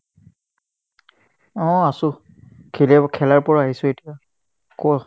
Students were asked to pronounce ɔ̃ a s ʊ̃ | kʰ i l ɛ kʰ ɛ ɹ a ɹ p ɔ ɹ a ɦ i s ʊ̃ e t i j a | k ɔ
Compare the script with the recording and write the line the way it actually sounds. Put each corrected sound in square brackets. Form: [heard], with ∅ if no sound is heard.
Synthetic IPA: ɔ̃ a s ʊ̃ | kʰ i l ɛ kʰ ɛ [l] a ɹ p ɔ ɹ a ɦ i s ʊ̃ e t i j a | k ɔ